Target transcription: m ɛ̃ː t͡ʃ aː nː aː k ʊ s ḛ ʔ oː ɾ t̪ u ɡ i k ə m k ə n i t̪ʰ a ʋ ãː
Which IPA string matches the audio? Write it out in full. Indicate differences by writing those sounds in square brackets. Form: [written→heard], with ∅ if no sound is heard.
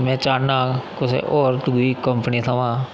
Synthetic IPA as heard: m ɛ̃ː t͡ʃ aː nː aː k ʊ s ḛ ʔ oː ɾ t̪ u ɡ i k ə m [k→p] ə n i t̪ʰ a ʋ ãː